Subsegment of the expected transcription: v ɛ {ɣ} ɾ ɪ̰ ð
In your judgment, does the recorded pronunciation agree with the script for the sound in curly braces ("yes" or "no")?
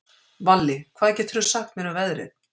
no